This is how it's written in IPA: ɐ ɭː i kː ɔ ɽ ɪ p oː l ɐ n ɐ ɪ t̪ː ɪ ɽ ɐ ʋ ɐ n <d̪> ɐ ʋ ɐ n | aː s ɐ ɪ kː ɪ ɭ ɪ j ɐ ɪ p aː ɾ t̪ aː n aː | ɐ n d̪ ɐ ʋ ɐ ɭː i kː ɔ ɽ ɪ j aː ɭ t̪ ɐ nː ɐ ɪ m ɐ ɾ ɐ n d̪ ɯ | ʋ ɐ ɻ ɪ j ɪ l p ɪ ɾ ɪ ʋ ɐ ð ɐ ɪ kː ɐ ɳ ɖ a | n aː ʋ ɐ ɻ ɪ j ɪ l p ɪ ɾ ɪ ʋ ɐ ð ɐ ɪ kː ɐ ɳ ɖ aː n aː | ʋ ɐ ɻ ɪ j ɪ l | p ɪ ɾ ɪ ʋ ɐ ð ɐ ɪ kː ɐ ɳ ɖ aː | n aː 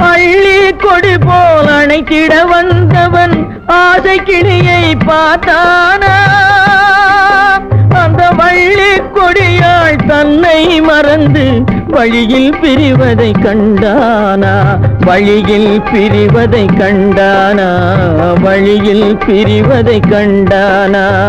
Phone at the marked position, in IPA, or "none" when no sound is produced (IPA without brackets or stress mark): d̪